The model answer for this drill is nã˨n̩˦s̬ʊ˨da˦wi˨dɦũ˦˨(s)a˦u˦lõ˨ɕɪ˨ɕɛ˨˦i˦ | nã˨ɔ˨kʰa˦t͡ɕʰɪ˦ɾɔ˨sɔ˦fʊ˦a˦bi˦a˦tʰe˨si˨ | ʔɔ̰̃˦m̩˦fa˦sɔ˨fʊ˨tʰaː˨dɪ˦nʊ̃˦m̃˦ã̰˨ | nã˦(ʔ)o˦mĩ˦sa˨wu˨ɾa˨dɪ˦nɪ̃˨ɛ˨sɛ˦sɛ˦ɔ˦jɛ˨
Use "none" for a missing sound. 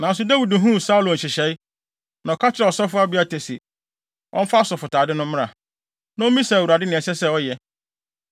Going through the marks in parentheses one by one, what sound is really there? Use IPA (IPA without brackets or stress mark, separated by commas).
s, none